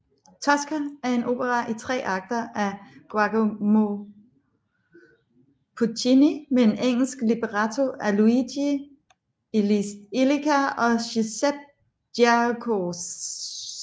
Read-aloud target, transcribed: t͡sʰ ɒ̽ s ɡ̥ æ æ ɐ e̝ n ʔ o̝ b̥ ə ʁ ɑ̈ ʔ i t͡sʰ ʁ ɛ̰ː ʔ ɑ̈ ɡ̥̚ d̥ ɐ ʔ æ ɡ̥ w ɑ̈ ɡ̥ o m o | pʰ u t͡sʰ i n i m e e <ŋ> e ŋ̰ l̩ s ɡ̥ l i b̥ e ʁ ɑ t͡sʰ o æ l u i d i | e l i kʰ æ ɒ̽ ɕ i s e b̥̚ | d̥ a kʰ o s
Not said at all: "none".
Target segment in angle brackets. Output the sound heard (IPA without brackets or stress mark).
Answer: n